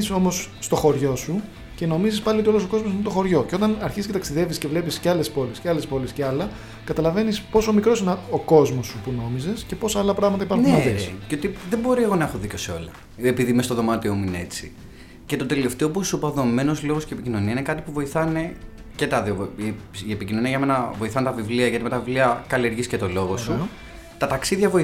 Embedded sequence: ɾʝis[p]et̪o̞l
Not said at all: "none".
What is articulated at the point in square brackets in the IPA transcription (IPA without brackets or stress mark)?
c